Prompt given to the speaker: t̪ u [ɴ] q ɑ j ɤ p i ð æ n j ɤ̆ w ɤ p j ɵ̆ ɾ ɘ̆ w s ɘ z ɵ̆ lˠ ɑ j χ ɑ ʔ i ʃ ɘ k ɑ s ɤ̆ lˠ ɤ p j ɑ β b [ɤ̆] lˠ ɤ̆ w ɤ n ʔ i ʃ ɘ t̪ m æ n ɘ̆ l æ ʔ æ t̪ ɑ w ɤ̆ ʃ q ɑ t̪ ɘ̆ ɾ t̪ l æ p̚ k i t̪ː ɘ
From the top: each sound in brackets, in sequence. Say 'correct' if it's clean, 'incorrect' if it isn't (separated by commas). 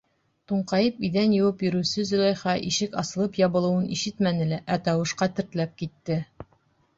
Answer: correct, correct